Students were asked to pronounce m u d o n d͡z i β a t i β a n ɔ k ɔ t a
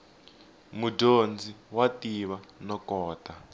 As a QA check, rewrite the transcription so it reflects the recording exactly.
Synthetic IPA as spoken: m u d o n d͡z i w a t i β a n ɔ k ɔː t a